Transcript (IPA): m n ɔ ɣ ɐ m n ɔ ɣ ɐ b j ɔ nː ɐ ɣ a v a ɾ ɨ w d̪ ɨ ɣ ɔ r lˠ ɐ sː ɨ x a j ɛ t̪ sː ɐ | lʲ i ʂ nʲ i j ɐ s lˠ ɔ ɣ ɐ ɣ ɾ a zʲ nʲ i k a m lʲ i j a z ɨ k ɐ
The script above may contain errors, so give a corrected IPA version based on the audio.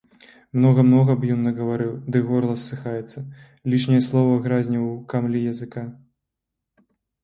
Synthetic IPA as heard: m n ɔ ɣ ɐ m n ɔ ɣ ɐ b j ɔ nː ɐ ɣ ɐ v a ɾ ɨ w d̪ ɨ ɣ ɔ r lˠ ɐ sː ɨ x a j ɛ t̪ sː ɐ | lʲ i ʂ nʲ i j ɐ s lˠ ɔ v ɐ ɣ ɾ a zʲ nʲ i k a m lʲ i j ɐ z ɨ k a